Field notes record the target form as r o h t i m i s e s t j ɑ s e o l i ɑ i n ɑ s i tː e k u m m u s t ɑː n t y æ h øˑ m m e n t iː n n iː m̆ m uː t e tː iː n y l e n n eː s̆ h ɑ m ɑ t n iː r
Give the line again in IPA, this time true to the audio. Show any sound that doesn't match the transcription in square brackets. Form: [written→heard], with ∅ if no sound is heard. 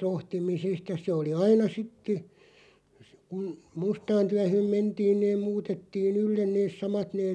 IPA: r o h t i m i s e s t j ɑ s e o l i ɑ i n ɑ s i tː e k u [m→n] m u s t ɑː n t y æ h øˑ m m e n t iː n n [iː→eː] m̆ m uː t e tː iː n y [l→lː] e n n eː s̆ [h→s] ɑ m ɑ t n [iː→eː] r